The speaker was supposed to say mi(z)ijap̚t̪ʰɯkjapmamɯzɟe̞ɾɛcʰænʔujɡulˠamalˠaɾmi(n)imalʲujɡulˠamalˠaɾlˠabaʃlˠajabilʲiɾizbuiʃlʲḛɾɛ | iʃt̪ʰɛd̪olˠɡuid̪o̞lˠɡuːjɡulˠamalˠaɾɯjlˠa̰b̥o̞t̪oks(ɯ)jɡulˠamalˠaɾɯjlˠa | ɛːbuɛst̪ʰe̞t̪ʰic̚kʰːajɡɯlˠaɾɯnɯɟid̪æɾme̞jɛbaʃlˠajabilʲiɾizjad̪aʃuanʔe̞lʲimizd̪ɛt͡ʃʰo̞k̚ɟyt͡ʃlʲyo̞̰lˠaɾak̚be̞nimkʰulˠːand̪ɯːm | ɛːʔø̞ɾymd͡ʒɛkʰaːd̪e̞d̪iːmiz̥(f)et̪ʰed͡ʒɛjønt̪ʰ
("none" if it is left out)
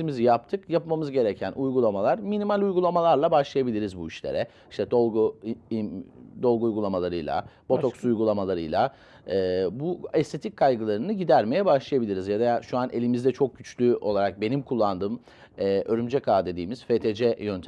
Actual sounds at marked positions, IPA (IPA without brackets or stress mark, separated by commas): z, n, u, f